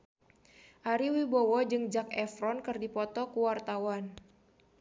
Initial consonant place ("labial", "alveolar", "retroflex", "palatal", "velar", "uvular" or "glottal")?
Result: glottal